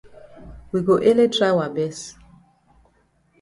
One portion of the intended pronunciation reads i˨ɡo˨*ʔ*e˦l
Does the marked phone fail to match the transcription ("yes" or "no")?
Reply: no